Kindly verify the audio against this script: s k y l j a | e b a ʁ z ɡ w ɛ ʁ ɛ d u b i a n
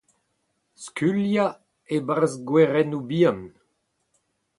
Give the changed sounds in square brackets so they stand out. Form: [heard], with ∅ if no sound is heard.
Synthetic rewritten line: s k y l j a | e b a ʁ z ɡ w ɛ ʁ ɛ [n] u b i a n